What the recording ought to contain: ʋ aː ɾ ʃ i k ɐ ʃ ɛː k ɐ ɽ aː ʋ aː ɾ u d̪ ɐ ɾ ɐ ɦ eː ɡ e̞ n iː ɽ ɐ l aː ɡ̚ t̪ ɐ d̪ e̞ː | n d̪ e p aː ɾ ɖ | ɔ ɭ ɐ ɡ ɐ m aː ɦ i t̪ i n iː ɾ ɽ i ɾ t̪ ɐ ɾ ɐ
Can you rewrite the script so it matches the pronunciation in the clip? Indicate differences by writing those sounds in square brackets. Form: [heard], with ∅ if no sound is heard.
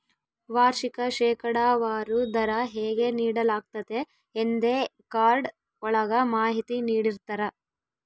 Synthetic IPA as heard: ʋ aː ɾ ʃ i k ɐ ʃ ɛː k ɐ ɽ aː ʋ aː ɾ u d̪ ɐ ɾ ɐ ɦ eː ɡ e̞ n iː ɽ ɐ l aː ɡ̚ t̪ ɐ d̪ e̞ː | n d̪ e [k] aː ɾ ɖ | ɔ ɭ ɐ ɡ ɐ m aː ɦ i t̪ i n iː [∅] ɽ i ɾ t̪ ɐ ɾ ɐ